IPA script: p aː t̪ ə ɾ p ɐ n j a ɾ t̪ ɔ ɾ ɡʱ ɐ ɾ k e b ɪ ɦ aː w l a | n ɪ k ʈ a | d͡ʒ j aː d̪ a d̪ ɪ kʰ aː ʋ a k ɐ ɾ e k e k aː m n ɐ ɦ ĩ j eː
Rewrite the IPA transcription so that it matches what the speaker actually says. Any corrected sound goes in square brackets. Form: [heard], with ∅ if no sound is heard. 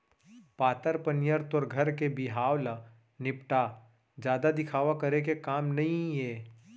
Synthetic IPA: p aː t̪ ə ɾ p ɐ n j [ə] ɾ t̪ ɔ ɾ ɡʱ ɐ ɾ k e b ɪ ɦ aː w l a | n ɪ [p] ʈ a | d͡ʒ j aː d̪ a d̪ ɪ kʰ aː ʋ a k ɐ ɾ e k e k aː m n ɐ ɦ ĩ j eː

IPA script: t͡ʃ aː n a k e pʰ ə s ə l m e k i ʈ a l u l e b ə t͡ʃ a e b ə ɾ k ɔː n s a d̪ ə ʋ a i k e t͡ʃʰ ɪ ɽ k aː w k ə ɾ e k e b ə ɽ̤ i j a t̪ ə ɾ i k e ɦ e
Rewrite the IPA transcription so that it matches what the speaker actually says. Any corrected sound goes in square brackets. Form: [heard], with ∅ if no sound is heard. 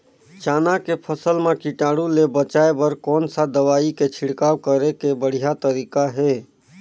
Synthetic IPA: t͡ʃ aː n a k e pʰ ə s ə l m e k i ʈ a [ɽ] u l e b ə t͡ʃ a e b ə ɾ k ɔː n s a d̪ ə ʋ a i k e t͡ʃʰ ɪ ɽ k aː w k ə ɾ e k e b ə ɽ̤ i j a t̪ ə ɾ i k [a] ɦ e

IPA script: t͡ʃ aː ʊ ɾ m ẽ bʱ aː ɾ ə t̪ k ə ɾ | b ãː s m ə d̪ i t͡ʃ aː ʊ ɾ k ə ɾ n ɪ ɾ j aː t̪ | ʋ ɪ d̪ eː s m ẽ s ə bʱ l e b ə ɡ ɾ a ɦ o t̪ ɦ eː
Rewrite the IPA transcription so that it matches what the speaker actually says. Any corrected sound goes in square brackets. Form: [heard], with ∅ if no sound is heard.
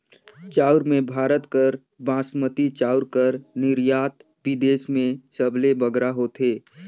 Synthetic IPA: t͡ʃ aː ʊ ɾ m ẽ bʱ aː ɾ ə t̪ k ə ɾ | b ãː s m ə [t̪] i t͡ʃ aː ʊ ɾ k ə ɾ n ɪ ɾ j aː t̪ | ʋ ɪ d̪ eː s m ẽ s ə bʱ l e b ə ɡ ɾ a ɦ o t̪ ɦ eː

